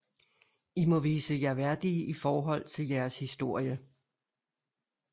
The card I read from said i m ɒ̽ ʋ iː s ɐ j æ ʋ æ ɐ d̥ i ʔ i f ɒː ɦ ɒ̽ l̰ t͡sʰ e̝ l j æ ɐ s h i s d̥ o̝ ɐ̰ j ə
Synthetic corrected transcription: i m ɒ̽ ʋ iː s ə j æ ʋ æ ɐ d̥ i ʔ i f ɒː ɦ ɒ̽ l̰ t͡sʰ e̝ l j æ ɐ s h i s d̥ o̝ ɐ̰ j ə